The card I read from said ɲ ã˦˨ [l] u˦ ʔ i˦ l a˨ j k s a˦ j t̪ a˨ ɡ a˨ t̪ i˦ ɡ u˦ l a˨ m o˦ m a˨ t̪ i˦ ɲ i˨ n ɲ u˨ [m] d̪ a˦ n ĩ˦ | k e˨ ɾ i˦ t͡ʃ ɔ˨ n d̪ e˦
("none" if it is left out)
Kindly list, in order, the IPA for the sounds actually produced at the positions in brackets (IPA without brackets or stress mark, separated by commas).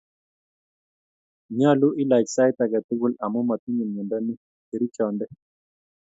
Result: l, n